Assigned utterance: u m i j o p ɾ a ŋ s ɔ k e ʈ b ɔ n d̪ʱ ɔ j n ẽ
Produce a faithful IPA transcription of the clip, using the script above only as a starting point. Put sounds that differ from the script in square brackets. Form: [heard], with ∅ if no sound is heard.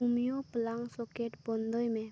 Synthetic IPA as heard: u m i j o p [l] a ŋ s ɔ k e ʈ b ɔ n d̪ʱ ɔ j [m] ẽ